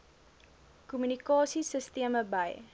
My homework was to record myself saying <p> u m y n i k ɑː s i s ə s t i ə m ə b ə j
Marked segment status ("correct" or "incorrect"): incorrect